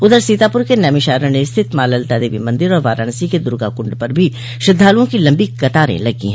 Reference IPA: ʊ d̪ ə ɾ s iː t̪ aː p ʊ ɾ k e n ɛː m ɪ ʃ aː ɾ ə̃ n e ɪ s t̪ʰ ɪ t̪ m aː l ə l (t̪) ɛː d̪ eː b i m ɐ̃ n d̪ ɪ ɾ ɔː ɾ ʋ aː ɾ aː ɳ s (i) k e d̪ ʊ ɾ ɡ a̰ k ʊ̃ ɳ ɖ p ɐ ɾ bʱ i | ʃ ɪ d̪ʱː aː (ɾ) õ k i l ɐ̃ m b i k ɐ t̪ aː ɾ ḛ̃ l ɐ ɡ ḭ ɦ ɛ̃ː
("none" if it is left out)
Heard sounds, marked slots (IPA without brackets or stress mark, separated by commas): t̪, i, l